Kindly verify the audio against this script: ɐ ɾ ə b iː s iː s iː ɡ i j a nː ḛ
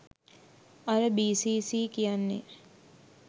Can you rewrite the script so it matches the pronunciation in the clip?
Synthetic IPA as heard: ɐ ɾ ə b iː s iː s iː k i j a nː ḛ